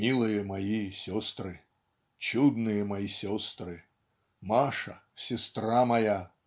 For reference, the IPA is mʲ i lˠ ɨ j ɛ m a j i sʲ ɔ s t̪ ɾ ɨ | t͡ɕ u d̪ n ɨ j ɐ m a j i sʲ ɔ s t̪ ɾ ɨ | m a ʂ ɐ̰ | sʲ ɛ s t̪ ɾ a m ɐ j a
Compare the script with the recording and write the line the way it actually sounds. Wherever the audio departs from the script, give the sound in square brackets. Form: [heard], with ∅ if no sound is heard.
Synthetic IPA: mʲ i lˠ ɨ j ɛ m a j i sʲ ɔ s t̪ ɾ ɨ | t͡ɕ u d̪ n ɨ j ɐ m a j i sʲ ɔ s t̪ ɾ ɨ | m a ʂ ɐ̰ | sʲ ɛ s t̪ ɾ a m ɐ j a